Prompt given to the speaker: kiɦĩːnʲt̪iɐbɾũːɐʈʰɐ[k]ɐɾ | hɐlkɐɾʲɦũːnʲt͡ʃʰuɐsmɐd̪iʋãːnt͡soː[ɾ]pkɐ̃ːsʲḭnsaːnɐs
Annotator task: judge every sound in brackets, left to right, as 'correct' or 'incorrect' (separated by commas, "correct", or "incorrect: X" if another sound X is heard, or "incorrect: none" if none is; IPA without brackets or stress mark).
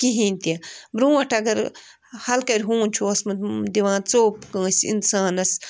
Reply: incorrect: ɡ, incorrect: none